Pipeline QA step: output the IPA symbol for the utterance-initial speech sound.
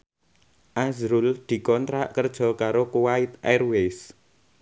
ʔ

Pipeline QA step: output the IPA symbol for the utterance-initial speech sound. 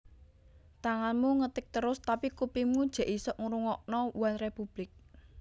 t̪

